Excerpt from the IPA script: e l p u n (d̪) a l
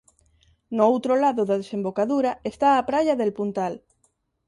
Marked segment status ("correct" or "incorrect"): incorrect